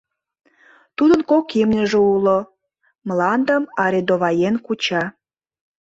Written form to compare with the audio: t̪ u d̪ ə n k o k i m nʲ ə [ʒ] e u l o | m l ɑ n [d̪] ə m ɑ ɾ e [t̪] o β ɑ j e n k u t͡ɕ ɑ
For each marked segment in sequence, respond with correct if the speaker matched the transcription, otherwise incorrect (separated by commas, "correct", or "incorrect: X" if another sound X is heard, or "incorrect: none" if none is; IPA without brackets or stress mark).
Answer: correct, correct, incorrect: d̪